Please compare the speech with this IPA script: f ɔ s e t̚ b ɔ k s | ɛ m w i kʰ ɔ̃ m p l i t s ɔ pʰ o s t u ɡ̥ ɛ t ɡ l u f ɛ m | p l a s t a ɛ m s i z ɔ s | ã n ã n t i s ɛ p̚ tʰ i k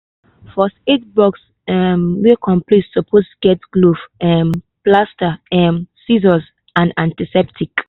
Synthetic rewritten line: f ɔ s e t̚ b ɔ k s | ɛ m w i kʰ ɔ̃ m p l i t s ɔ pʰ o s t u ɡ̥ ɛ t ɡ l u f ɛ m | p l a s t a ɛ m s i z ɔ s | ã n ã n t i s ɛ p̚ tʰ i k